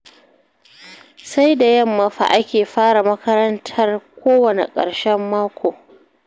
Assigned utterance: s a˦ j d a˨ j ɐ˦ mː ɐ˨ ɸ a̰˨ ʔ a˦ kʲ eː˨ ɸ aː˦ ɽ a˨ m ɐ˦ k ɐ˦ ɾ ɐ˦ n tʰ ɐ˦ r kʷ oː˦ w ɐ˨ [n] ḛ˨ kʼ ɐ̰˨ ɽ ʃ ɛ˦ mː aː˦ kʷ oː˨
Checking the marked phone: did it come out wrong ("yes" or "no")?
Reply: no